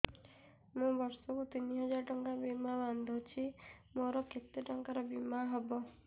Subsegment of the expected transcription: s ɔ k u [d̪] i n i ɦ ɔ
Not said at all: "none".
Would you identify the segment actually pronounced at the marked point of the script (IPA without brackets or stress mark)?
t̪